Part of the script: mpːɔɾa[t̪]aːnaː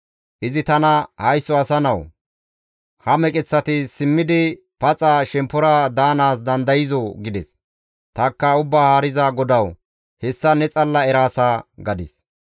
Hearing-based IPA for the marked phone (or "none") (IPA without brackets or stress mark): d̪